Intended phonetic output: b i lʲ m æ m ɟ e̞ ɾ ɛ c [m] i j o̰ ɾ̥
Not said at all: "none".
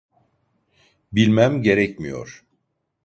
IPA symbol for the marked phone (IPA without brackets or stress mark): m